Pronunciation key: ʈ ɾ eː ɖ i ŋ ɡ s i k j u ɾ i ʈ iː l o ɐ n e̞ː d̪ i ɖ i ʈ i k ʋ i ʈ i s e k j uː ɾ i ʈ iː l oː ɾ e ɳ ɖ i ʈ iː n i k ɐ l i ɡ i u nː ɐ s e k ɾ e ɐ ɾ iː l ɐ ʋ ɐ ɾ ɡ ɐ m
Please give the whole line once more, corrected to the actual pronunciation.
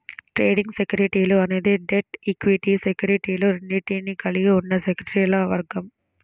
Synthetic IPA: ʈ ɾ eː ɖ i ŋ ɡ s e k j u ɾ i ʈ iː l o ɐ n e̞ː d̪ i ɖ e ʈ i k ʋ i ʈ i s e k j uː ɾ i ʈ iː l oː ɾ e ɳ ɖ i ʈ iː n i k ɐ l i ɡ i u nː ɐ s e k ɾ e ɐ ɾ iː l ɐ ʋ ɐ ɾ ɡ ɐ m